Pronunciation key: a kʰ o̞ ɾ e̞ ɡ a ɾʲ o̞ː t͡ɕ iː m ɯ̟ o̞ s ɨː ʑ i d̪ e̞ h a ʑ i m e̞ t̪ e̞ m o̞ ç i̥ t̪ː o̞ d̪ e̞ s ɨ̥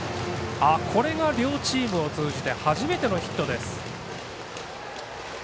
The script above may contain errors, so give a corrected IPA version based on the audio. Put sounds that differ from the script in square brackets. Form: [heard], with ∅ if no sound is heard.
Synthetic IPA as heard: a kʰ o̞ ɾ e̞ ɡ a ɾʲ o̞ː t͡ɕ iː m ɯ̟ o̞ [t͡s] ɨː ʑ i [t̪] e̞ h a ʑ i m e̞ t̪ e̞ [n] o̞ ç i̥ t̪ː o̞ d̪ e̞ s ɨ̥